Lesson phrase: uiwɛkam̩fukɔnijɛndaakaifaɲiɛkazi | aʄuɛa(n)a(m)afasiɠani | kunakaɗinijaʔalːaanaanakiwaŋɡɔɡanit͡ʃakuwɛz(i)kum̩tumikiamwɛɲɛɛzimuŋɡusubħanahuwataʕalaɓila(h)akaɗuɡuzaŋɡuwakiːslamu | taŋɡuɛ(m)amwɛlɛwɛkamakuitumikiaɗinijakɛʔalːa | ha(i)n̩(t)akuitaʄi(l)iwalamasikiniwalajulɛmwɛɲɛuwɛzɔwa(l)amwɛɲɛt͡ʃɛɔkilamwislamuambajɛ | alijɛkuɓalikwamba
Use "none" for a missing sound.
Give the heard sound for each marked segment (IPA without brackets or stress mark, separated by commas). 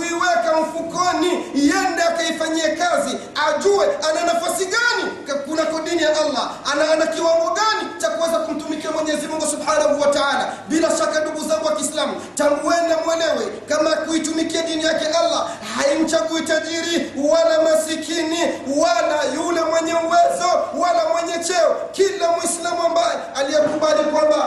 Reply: n, n, a, ʃ, n, i, t͡ʃ, ɾ, l